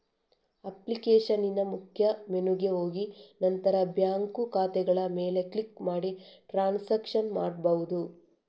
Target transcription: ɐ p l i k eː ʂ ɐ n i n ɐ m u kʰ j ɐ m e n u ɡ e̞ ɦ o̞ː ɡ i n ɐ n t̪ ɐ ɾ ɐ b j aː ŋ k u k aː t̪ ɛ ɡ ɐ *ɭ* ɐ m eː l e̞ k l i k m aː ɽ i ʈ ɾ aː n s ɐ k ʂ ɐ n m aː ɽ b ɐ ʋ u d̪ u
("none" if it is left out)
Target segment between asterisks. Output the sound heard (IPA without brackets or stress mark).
ɭ